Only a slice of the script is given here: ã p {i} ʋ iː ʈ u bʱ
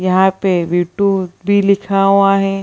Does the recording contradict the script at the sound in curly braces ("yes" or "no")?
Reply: yes